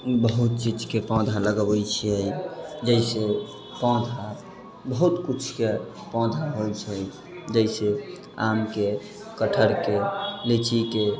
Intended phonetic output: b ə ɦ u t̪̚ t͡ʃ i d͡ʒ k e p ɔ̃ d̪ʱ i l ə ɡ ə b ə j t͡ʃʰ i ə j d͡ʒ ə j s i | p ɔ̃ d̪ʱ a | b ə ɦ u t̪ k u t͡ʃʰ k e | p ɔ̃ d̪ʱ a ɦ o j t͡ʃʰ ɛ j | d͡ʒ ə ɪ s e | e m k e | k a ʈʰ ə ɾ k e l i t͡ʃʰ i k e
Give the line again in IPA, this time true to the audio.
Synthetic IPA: b ə ɦ u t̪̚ t͡ʃ i d͡ʒ k e p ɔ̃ d̪ʱ a l ə ɡ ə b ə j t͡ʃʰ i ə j d͡ʒ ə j s e | p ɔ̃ d̪ʱ a | b ə ɦ u t̪ k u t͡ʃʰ k e | p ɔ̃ d̪ʱ a ɦ o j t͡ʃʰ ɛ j | d͡ʒ ə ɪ s e | a m k e | k ə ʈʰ ə ɾ k e l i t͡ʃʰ i k e